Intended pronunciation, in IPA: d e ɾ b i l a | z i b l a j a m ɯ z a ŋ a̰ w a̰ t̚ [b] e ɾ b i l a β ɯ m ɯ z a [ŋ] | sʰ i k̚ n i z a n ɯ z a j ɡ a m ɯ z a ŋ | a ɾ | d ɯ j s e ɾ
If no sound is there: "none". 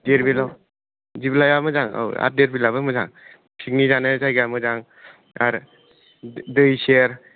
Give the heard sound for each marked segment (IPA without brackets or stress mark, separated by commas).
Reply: d, ŋ